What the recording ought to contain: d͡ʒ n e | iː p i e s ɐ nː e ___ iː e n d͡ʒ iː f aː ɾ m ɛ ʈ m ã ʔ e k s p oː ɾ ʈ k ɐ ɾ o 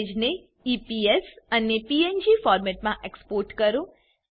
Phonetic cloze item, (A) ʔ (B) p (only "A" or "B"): B